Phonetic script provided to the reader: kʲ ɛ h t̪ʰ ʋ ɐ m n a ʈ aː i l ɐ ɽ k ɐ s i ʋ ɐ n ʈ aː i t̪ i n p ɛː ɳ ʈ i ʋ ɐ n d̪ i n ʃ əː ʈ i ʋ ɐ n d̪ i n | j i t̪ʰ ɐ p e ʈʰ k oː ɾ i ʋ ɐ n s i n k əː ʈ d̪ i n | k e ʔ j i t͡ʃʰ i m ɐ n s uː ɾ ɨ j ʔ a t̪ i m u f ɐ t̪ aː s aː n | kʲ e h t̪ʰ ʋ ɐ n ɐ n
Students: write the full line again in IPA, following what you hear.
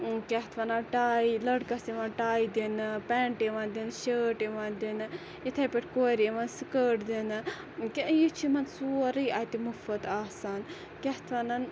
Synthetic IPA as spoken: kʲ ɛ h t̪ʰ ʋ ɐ n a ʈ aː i l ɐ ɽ k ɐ s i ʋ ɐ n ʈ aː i d̪ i n p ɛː ɳ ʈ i ʋ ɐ n d̪ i n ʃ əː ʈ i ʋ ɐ n d̪ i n | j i t̪ʰ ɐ p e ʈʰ k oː ɾ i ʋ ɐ n s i k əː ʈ d̪ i n | k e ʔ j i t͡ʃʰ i m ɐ n s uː ɾ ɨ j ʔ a t̪ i m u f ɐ t̪ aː s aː n | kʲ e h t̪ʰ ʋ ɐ n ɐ n